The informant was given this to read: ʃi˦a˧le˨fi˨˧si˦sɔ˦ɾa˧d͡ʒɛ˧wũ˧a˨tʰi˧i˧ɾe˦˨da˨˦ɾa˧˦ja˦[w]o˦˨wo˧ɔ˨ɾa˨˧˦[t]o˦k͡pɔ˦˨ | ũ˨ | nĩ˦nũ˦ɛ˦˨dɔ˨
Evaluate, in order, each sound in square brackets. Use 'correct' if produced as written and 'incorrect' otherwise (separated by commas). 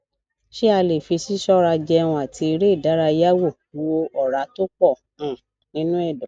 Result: correct, correct